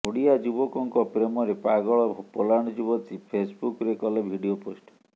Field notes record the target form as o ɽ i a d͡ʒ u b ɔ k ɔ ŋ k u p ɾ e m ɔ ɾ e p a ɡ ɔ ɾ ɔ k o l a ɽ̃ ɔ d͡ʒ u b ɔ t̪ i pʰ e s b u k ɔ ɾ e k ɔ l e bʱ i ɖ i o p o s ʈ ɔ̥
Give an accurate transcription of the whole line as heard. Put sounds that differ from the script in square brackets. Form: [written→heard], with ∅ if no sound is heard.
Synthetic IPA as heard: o ɽ i a d͡ʒ u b ɔ k ɔ ŋ k [u→ɔ] p ɾ e m ɔ ɾ e p a ɡ ɔ [ɾ→ɭ] ɔ [k→p] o l a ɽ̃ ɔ d͡ʒ u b ɔ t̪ i pʰ e s b u k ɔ ɾ e k ɔ l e bʱ i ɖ i o p o s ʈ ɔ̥

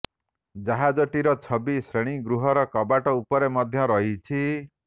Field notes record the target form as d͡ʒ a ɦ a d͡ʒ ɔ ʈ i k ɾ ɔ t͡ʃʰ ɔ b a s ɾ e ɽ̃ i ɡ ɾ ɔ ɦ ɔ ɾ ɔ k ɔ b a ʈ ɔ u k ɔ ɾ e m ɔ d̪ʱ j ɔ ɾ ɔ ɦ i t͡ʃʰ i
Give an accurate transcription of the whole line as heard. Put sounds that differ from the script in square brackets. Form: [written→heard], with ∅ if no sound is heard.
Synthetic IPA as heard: d͡ʒ a ɦ a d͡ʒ ɔ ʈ i [k→∅] ɾ ɔ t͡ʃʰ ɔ b [a→i] s ɾ e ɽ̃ i ɡ ɾ [ɔ→u] ɦ ɔ ɾ ɔ k ɔ b a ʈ ɔ u [k→p] ɔ ɾ e m ɔ d̪ʱ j ɔ ɾ ɔ ɦ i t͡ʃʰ i

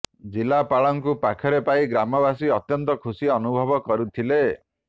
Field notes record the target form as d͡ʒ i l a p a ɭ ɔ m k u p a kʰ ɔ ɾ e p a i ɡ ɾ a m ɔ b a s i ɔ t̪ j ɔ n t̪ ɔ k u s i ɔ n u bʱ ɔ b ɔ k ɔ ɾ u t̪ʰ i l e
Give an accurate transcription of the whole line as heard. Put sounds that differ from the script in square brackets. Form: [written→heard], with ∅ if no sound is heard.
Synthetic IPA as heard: d͡ʒ i l a p a ɭ ɔ [m→ŋ] k u p a kʰ ɔ ɾ e p a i ɡ ɾ a m ɔ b a s i ɔ t̪ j ɔ n t̪ ɔ [k→kʰ] u s i ɔ n u bʱ ɔ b ɔ k ɔ ɾ u t̪ʰ i l e

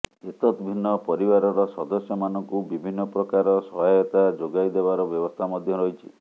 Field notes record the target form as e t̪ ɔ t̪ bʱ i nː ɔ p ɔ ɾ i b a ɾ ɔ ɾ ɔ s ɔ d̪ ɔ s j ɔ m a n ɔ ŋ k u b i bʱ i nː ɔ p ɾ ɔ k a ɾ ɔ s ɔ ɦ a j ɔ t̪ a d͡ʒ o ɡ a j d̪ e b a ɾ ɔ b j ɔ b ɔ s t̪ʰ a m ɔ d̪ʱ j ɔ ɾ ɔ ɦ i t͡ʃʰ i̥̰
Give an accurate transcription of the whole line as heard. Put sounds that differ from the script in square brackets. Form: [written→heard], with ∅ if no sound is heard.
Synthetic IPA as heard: e t̪ ɔ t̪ bʱ i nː ɔ p ɔ ɾ i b a ɾ ɔ ɾ ɔ s ɔ d̪ ɔ s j ɔ m a n ɔ ŋ k u b i bʱ i nː ɔ p ɾ ɔ k a ɾ ɔ s ɔ ɦ a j ɔ t̪ a d͡ʒ o ɡ a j d̪ e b a ɾ ɔ b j ɔ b ɔ s t̪ʰ a m ɔ d̪ʱ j ɔ ɾ ɔ ɦ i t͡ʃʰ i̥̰

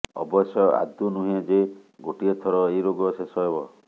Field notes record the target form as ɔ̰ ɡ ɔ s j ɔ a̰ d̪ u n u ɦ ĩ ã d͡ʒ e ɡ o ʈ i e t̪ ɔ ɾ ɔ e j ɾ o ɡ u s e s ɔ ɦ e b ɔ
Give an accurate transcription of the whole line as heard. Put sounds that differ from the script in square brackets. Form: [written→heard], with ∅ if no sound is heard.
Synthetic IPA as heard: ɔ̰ [ɡ→b] ɔ s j ɔ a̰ d̪ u n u ɦ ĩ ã d͡ʒ e ɡ o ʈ i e [t̪→t̪ʰ] ɔ ɾ ɔ e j ɾ o ɡ [u→ɔ] s e s ɔ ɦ e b ɔ

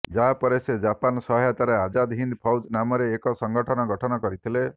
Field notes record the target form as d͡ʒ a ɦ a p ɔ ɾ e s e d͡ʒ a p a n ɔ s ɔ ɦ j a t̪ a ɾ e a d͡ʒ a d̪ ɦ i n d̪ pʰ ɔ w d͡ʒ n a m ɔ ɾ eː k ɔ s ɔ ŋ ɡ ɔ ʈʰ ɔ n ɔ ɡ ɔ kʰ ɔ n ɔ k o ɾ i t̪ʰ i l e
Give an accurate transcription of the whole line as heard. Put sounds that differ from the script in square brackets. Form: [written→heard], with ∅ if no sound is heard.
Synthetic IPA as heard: d͡ʒ a ɦ a p ɔ ɾ e s e d͡ʒ a p a n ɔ s ɔ ɦ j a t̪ a ɾ e a d͡ʒ a d̪ ɦ i n d̪ pʰ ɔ w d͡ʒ n a m ɔ ɾ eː k ɔ s ɔ ŋ ɡ ɔ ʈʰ ɔ n ɔ ɡ ɔ [kʰ→ʈʰ] ɔ n ɔ k [o→ɔ] ɾ i t̪ʰ i l e

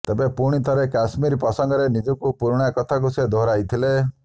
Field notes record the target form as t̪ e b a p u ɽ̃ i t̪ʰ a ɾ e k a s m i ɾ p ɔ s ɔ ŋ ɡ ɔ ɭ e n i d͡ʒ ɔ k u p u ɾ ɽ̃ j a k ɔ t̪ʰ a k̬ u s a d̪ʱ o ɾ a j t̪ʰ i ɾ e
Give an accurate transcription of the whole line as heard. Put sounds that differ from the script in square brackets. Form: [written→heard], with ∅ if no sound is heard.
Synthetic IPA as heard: t̪ e b [a→e] p u ɽ̃ i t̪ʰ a ɾ e k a s m i ɾ p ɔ s ɔ ŋ ɡ ɔ [ɭ→ɾ] e n i d͡ʒ ɔ k u p u ɾ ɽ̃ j a k ɔ t̪ʰ a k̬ u s [a→e] d̪ʱ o ɾ a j t̪ʰ i [ɾ→l] e

